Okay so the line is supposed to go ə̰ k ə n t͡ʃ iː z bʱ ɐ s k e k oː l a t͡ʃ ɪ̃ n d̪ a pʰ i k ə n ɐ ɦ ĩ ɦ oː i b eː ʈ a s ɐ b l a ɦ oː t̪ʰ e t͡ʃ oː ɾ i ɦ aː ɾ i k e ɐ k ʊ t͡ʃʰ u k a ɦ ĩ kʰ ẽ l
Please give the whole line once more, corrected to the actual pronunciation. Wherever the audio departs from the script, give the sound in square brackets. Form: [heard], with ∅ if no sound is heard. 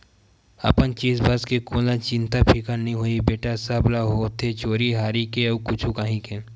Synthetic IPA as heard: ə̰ [p] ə n t͡ʃ iː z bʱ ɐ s k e k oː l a t͡ʃ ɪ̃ n [t̪] a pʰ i k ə n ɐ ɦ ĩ ɦ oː i b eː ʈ a s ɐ b l a ɦ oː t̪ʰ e t͡ʃ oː ɾ i ɦ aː ɾ i k e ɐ k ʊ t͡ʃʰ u k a ɦ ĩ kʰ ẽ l